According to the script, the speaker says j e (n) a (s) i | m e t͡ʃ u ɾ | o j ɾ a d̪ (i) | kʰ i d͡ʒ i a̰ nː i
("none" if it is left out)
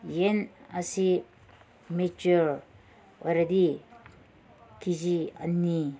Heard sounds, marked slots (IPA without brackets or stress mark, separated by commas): n, s, i